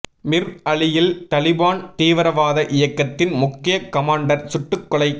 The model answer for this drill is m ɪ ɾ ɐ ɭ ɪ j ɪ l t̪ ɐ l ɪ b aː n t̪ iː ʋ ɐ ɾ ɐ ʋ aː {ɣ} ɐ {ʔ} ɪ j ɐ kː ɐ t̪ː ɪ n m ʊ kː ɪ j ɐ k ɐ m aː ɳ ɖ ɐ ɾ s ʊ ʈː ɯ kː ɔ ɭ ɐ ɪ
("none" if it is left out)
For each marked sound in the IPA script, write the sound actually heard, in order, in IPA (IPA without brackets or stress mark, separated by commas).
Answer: ð, ʔ